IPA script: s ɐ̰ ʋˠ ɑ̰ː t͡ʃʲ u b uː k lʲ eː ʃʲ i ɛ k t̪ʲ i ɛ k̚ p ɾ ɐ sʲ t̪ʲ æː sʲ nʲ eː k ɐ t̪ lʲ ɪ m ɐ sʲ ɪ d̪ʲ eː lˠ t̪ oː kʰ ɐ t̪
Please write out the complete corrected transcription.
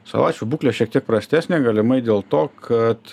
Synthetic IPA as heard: s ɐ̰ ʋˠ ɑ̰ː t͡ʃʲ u b uː k lʲ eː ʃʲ i ɛ k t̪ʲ i ɛ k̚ p ɾ ɐ sʲ t̪ʲ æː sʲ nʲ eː ɡ ɐ lʲ ɪ m ɐ ɪ d̪ʲ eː lˠ t̪ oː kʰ ɐ t̪